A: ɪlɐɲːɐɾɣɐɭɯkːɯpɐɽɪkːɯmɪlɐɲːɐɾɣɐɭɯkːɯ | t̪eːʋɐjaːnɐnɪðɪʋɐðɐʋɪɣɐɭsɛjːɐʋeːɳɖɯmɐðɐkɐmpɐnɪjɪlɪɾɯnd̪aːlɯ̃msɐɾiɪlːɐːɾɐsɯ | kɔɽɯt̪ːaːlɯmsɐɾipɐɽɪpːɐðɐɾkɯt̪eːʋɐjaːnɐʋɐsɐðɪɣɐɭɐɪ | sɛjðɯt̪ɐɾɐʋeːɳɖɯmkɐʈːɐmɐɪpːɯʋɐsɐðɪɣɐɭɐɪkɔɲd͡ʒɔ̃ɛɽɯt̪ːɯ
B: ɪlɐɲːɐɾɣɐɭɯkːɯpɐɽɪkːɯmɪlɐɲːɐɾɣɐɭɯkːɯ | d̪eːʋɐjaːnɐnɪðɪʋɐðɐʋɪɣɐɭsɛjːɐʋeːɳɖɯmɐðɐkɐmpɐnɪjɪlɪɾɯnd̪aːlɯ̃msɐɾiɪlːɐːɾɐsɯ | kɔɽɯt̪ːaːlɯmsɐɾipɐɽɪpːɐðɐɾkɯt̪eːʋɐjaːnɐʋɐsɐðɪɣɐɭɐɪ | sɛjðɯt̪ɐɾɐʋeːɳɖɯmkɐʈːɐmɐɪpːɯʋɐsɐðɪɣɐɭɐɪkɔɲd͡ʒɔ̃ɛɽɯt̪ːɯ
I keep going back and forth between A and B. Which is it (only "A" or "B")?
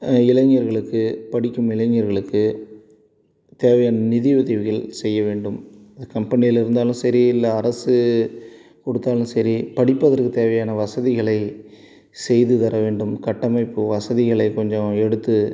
A